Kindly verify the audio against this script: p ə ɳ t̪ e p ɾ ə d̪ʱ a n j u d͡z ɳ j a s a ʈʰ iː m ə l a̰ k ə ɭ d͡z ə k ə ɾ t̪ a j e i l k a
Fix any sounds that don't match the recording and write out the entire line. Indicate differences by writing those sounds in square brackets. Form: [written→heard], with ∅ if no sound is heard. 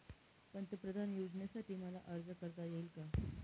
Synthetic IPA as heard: p ə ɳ t̪ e p ɾ ə d̪ʱ a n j u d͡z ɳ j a s a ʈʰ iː m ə l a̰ [k→ʔ] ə [ɭ→ɾ] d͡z ə k ə ɾ t̪ a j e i l k a